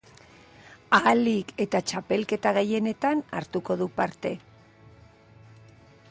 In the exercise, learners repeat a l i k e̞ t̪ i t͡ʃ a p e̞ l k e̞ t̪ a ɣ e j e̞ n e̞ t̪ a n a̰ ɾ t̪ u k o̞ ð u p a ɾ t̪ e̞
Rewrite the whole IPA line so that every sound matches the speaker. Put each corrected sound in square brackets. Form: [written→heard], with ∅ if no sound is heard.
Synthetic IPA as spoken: a l i k e̞ t̪ [i→a] t͡ʃ a p e̞ l k e̞ t̪ a ɣ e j e̞ n e̞ t̪ a n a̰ ɾ t̪ u k o̞ ð u p a ɾ t̪ e̞